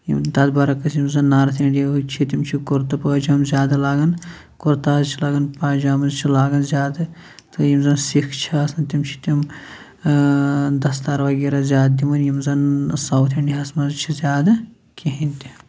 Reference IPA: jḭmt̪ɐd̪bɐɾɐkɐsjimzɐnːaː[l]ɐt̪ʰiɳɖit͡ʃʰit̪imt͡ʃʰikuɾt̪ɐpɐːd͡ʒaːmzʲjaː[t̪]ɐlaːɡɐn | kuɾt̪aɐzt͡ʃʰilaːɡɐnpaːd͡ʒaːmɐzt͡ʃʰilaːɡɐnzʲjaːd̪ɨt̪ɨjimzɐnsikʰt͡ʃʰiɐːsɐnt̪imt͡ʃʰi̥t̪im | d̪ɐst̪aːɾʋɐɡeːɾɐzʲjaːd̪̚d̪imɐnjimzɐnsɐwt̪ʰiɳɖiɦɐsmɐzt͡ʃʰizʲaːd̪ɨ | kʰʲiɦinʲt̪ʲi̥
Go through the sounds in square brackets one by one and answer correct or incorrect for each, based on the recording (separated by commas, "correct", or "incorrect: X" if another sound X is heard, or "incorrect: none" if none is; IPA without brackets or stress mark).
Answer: incorrect: ɾ, incorrect: d̪